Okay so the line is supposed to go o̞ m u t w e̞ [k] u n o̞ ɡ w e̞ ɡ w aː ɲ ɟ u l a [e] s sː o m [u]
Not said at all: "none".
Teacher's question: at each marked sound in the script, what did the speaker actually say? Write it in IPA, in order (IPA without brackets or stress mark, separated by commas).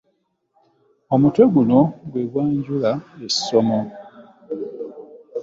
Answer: ɡ, e, o